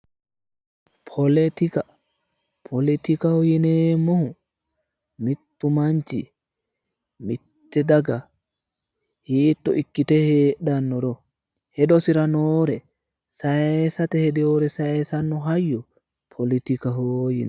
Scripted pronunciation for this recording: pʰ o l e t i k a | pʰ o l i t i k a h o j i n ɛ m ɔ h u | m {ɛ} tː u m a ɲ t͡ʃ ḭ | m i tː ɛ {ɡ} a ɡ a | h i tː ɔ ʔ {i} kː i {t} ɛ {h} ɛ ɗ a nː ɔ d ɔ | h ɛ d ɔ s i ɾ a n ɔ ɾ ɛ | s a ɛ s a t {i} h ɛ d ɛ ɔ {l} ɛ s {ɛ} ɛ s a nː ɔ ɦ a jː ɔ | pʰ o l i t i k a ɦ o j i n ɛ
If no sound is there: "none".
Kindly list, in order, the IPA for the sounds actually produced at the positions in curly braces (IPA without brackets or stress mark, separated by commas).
i, d, i, t, h, ɛ, ɾ, a